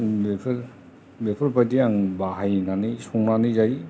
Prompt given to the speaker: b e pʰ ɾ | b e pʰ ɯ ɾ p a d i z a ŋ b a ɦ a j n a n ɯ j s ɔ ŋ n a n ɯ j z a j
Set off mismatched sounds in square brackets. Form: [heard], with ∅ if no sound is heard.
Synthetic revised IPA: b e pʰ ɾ | b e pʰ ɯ ɾ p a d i [∅] a ŋ b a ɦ a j n a n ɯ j s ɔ ŋ n a n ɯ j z a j